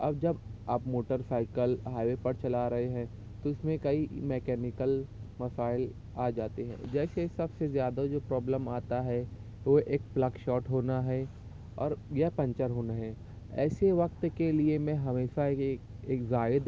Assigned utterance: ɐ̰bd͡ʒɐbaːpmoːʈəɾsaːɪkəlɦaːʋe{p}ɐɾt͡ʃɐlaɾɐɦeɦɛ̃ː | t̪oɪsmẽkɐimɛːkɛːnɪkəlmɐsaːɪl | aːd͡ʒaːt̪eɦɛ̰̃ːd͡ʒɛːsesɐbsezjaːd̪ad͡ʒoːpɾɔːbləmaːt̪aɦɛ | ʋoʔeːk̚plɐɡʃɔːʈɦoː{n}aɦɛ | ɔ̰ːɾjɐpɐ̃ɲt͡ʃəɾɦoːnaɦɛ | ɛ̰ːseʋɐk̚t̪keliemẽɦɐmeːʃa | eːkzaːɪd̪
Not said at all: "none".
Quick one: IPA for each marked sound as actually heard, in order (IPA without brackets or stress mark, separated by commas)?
p, n